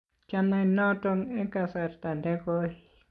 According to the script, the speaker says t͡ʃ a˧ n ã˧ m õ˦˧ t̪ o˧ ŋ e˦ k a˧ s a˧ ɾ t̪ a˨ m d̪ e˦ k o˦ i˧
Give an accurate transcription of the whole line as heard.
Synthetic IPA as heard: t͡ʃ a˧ n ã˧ n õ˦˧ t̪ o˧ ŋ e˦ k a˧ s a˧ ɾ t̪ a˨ n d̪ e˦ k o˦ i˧